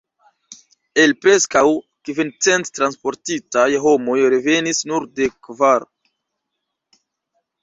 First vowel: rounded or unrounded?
unrounded